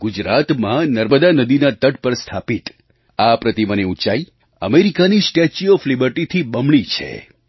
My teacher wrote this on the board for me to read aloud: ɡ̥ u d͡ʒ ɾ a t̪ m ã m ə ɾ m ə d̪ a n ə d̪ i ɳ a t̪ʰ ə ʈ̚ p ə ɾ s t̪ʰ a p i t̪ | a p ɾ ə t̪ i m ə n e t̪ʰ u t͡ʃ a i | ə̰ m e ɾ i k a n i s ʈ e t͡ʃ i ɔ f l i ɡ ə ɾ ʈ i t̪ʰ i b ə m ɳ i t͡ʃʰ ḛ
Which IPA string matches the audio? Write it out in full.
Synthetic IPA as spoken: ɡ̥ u d͡ʒ ɾ a t̪ m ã n ə ɾ m ə d̪ a n ə d̪ i n a t̪ ə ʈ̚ p ə ɾ s t̪ʰ a p i t̪ | a p ɾ ə t̪ i m ə n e u t͡ʃ a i | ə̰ m e ɾ i k a n i s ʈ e t͡ʃ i ɔ f l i b ə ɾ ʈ i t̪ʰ i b ə m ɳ i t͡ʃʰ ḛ